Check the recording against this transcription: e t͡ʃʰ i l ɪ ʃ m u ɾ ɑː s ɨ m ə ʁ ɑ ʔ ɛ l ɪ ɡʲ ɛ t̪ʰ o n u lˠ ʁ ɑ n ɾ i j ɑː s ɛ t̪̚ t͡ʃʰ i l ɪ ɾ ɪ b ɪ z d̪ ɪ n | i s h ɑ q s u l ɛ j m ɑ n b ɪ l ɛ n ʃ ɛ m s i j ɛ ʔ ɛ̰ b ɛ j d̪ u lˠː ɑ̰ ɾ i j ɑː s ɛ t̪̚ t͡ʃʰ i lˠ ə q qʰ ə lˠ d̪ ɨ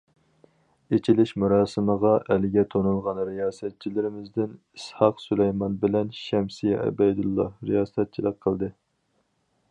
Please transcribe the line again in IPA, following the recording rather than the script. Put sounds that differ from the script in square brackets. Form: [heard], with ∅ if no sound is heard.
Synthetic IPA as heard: e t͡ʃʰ i l ɪ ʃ m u ɾ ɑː s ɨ m ə ʁ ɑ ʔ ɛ l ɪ ɡʲ ɛ t̪ʰ o n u lˠ ʁ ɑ n ɾ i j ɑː s ɛ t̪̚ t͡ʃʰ i l ɪ ɾ ɪ [m] ɪ z d̪ ɪ n | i s h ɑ q s u l ɛ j m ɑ n b ɪ l ɛ n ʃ ɛ m s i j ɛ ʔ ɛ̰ b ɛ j d̪ u lˠː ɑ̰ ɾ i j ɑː s ɛ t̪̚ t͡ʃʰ i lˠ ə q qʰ ə lˠ d̪ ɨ

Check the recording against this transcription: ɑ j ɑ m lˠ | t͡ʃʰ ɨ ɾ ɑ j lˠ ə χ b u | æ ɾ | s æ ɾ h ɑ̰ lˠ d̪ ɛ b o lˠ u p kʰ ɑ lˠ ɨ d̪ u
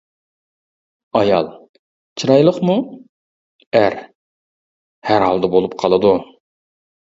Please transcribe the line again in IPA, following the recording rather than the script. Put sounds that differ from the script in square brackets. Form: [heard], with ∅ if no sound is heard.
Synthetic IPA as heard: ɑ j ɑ [∅] lˠ | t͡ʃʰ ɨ ɾ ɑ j lˠ ə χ [m] u | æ ɾ | [h] æ ɾ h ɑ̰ lˠ d̪ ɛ b o lˠ u p [qʰ] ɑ lˠ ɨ d̪ u

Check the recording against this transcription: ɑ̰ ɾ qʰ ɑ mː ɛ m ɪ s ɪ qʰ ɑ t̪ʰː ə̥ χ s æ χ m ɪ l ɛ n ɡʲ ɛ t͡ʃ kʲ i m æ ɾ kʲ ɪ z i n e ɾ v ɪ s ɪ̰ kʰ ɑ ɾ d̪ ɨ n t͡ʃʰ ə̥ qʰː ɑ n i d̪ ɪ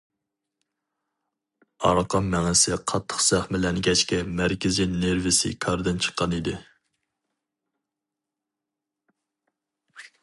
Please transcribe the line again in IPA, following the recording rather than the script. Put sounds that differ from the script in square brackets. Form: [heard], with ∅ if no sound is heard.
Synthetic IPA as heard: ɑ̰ ɾ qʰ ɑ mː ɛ [ŋ] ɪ s ɪ qʰ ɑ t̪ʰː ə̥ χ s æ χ m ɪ l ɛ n ɡʲ ɛ t͡ʃ kʲ [ɛ] m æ ɾ kʲ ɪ z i n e ɾ v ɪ s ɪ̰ kʰ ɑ ɾ d̪ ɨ n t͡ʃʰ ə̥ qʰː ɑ n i d̪ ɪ

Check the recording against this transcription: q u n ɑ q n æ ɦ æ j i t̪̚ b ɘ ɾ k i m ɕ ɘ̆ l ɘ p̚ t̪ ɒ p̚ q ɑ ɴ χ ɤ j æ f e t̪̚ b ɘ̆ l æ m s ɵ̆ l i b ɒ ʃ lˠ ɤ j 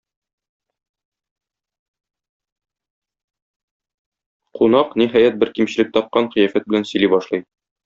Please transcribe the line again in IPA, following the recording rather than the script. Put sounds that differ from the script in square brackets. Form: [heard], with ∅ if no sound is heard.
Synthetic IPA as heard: q u n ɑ q n [i] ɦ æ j [æ] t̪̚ b ɘ ɾ k i m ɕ ɘ̆ l ɘ [k̚] t̪ ɒ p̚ q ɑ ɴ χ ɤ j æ f [æ] t̪̚ b ɘ̆ l æ [n] s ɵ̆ l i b ɒ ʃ lˠ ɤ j

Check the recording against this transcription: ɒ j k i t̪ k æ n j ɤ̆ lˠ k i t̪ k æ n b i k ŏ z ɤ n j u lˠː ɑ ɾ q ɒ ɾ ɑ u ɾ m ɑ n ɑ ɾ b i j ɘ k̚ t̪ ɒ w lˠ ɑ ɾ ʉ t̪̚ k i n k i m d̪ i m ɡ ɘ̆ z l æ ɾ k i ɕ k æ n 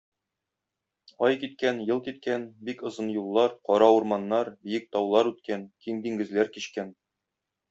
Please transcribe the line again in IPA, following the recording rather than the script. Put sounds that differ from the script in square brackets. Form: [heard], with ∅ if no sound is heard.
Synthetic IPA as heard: ɒ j k i t̪ k æ n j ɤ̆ lˠ k i t̪ k æ n b i k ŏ z ɤ n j u lˠː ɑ ɾ q ɒ ɾ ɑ u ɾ m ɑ [nː] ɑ ɾ b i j ɘ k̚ t̪ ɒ w lˠ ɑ ɾ ʉ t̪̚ k [æ] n k i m d̪ i [ŋ] ɡ ɘ̆ z l æ ɾ k i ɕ k æ n

